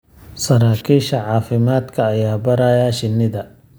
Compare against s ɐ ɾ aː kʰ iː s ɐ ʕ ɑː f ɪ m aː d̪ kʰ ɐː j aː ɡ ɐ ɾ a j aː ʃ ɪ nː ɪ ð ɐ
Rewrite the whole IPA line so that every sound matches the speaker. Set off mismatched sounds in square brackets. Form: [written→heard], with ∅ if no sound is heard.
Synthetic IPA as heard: s ɐ ɾ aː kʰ iː [s→ʃ] ɐ ʕ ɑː f ɪ m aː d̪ kʰ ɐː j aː [ɡ→b] ɐ ɾ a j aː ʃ ɪ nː ɪ ð ɐ